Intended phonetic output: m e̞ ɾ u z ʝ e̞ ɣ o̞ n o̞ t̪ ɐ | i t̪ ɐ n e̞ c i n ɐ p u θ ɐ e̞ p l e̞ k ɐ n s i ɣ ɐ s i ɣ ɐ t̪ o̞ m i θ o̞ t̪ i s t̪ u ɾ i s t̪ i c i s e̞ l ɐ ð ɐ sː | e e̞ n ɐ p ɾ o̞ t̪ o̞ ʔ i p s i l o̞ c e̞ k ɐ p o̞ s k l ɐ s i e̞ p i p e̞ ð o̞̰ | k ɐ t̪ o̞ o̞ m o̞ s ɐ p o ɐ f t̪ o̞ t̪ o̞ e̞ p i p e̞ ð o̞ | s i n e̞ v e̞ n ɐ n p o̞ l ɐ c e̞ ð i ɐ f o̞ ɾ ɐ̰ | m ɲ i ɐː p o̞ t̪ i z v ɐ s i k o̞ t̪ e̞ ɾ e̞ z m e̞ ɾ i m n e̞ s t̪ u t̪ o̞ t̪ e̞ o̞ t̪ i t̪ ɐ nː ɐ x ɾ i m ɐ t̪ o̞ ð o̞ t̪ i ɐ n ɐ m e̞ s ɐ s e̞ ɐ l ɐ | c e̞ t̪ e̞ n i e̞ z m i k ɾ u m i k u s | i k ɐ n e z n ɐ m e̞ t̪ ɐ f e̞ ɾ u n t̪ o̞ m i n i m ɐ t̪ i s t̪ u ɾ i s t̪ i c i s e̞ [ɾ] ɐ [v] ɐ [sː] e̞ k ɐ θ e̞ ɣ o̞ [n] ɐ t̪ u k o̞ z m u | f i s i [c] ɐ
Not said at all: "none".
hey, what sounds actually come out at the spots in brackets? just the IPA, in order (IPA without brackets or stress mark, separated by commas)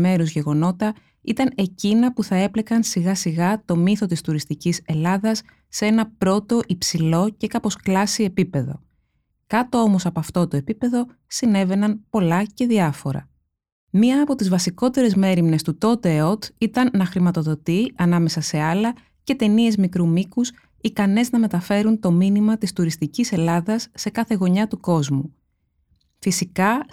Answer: l, ð, sː, ɲ, k